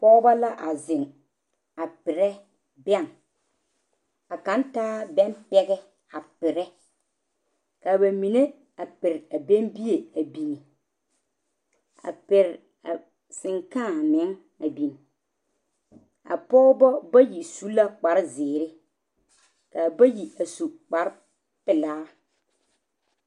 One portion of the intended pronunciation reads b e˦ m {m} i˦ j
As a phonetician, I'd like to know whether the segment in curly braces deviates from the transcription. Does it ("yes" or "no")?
yes